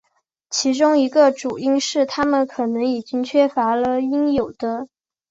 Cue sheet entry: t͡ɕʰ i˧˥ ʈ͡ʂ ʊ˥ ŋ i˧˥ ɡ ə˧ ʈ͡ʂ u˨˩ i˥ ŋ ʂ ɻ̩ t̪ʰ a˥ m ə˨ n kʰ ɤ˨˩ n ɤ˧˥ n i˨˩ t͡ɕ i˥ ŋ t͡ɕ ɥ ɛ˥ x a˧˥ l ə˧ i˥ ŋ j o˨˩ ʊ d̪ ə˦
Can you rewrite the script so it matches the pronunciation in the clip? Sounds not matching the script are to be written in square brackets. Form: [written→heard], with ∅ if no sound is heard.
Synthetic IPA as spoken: t͡ɕʰ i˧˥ ʈ͡ʂ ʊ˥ ŋ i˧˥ ɡ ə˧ ʈ͡ʂ u˨˩ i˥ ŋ ʂ ɻ̩ t̪ʰ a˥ m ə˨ n kʰ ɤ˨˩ n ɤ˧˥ [n→ŋ] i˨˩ t͡ɕ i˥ ŋ [t͡ɕ→t͡ɕʰ] ɥ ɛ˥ [x→f] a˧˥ l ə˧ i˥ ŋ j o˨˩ ʊ d̪ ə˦